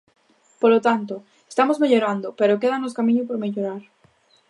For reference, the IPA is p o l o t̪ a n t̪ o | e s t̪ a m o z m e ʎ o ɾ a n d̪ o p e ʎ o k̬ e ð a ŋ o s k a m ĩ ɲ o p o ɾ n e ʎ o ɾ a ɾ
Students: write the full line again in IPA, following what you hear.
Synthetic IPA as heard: p o l o t̪ a n t̪ o | e s t̪ a m o z m e ʎ o ɾ a n d̪ o p e ɾ o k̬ e ð a n o s k a m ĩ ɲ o p o ɾ m e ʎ o ɾ a ɾ

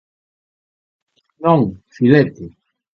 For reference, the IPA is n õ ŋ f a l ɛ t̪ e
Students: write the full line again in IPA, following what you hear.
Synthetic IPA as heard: n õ ŋ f i l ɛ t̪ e

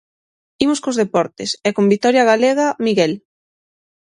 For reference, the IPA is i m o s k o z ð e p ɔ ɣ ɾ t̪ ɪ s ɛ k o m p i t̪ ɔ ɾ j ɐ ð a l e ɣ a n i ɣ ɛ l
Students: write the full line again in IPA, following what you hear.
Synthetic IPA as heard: i m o s k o z ð e p ɔ ɾ t̪ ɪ s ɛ k o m b i t̪ ɔ ɾ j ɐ ɣ a l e ɣ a m i ɣ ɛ l

